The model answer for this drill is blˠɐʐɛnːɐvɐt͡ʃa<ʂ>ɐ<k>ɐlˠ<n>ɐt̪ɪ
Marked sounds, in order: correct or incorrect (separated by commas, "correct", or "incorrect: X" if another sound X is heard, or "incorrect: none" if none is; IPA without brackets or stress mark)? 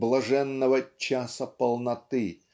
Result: incorrect: s, incorrect: p, correct